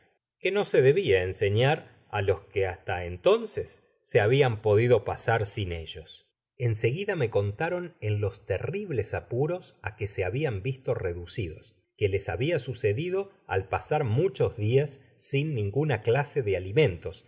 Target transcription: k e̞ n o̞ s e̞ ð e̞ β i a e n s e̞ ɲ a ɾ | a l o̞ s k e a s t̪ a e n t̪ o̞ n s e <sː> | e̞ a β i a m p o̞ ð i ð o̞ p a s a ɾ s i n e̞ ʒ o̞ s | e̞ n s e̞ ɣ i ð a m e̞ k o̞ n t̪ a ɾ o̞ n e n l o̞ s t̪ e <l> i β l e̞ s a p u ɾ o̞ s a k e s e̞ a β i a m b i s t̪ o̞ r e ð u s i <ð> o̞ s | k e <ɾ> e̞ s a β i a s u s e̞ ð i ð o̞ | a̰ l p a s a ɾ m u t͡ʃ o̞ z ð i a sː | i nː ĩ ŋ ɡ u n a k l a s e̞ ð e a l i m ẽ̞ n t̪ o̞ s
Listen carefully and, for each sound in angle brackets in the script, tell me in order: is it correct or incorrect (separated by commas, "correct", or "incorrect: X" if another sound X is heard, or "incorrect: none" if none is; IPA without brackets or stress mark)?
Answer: correct, incorrect: r, correct, incorrect: l